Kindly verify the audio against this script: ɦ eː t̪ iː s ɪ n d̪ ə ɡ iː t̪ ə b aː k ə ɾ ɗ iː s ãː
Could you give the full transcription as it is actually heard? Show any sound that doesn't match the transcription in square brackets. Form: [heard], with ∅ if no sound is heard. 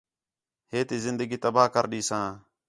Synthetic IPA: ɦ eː t̪ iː [z] ɪ n d̪ ə ɡ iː t̪ ə b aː k ə ɾ ɗ iː s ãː